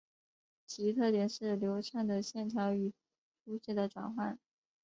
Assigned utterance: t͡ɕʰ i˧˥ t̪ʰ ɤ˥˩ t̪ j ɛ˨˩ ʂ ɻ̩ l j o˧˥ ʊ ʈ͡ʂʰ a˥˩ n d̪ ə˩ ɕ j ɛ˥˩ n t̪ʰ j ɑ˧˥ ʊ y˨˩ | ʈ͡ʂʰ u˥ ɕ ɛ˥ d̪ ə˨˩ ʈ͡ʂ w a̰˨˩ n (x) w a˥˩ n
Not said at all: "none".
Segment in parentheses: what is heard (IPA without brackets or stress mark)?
x